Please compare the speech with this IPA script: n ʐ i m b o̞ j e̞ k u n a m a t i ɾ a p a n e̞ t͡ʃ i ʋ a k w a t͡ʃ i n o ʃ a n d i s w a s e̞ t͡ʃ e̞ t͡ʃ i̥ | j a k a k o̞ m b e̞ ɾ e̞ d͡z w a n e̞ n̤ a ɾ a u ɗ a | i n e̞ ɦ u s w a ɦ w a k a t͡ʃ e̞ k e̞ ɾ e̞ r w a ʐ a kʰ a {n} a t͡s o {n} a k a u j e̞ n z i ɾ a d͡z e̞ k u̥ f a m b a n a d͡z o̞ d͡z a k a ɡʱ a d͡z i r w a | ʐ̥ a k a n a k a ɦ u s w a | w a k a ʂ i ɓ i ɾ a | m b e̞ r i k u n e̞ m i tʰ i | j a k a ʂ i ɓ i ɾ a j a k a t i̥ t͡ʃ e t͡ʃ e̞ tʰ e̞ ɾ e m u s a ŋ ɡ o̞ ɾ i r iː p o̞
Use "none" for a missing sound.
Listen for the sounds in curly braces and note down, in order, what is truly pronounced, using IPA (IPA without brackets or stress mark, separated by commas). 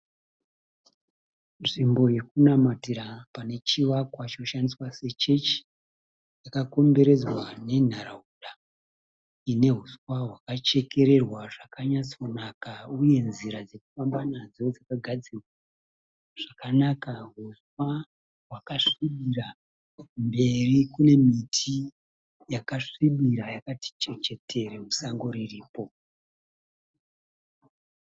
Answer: ɲ, n